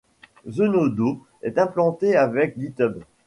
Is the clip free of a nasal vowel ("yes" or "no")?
no